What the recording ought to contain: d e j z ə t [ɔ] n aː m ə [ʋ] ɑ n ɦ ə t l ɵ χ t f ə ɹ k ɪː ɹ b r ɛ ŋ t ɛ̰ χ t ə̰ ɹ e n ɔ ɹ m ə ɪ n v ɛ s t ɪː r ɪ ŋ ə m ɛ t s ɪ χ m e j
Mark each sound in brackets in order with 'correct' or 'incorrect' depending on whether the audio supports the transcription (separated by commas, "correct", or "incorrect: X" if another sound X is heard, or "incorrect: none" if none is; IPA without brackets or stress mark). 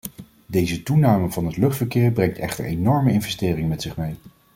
incorrect: u, incorrect: v